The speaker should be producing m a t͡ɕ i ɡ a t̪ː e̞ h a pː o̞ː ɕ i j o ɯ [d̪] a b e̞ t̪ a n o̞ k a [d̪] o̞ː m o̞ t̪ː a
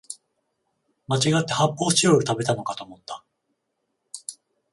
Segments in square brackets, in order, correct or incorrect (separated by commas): incorrect, incorrect